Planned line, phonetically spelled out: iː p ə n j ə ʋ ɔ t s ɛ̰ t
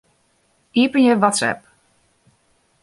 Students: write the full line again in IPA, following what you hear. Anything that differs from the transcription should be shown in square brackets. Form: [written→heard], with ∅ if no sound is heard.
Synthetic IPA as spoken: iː p ə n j ə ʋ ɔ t s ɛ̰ [t→p]